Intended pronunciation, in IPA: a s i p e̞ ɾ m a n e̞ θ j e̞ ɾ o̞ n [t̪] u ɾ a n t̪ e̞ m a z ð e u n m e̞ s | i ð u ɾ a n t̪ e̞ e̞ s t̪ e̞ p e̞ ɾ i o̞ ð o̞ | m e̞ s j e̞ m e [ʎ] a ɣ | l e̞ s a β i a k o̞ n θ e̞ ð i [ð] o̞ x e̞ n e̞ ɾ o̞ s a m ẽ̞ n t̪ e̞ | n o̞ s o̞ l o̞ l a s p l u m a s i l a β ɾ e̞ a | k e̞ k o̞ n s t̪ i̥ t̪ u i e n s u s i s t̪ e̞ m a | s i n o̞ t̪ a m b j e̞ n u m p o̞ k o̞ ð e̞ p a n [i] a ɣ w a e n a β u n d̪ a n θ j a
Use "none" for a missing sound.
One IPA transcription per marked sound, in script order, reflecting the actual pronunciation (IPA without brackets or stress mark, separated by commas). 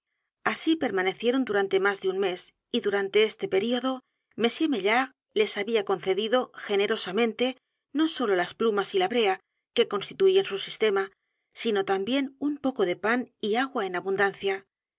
d̪, ʎ, ð, i